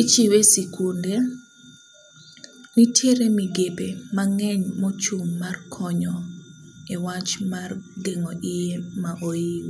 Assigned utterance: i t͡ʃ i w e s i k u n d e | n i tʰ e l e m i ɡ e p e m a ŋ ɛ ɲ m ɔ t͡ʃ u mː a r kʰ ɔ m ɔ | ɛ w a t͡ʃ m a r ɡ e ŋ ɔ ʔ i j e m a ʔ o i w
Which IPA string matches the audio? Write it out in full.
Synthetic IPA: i t͡ʃ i w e s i k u n d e | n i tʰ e ɾ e m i ɡ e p e m a ŋ ɛ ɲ m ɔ t͡ʃ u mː a r kʰ ɔ ɲ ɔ | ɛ w a t͡ʃ m a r ɡ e ŋ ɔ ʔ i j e m a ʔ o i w